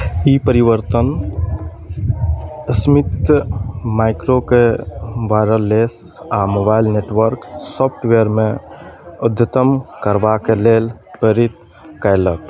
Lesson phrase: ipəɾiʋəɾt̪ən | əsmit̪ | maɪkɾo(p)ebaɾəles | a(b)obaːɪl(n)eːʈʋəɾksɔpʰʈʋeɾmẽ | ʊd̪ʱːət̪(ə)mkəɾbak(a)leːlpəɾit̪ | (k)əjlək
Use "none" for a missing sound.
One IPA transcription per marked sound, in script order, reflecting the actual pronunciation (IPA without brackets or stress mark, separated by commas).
k, m, n, ə, e, k